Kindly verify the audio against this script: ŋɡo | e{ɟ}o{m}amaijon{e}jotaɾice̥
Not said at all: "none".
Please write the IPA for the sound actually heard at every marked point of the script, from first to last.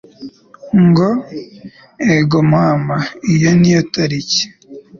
ɡ, m, i

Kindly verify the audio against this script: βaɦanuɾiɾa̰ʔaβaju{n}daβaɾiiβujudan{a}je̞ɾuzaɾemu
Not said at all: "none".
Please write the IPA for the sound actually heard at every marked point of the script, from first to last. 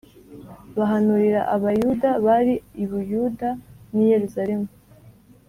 none, i

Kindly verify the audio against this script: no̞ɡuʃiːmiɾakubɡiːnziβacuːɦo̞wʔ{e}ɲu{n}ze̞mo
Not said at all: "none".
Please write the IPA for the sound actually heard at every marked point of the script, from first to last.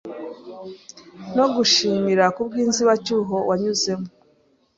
a, none

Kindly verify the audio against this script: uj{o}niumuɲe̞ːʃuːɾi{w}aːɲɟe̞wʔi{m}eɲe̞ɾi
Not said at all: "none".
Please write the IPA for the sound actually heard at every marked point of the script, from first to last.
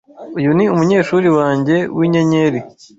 u, w, ɲ

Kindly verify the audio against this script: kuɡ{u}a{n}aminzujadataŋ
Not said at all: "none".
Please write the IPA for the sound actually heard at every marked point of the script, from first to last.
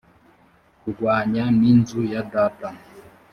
w, ɲ

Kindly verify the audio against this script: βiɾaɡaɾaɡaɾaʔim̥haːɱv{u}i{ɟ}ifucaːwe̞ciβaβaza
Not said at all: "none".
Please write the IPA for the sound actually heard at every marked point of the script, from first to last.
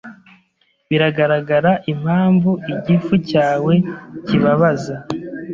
u, ɟ

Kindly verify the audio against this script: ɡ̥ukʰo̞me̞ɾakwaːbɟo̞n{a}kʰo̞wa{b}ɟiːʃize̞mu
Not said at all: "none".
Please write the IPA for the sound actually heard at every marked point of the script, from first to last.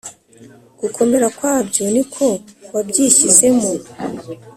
i, b

